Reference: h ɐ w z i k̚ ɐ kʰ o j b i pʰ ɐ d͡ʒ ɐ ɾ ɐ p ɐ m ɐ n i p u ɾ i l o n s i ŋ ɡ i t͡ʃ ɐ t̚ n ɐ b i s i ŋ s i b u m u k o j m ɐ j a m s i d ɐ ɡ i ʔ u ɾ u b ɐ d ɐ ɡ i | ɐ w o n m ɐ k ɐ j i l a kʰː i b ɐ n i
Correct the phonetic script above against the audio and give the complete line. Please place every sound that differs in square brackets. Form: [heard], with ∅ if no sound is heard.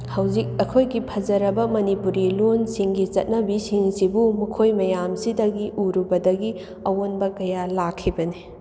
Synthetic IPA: h ɐ w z i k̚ ɐ kʰ o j [ɡ] i pʰ ɐ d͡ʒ ɐ ɾ ɐ [b] ɐ m ɐ n i p u ɾ i l o n s i ŋ ɡ i t͡ʃ ɐ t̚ n ɐ b i s i ŋ s i b u m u [kʰ] o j m ɐ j a m s i d ɐ ɡ i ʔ u ɾ u b ɐ d ɐ ɡ i | ɐ w o n [b] ɐ k ɐ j [a] l a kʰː i b ɐ n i